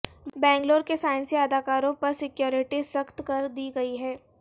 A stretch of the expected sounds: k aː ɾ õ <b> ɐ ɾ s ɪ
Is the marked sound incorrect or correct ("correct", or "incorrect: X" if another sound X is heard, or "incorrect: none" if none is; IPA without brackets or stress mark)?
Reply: incorrect: p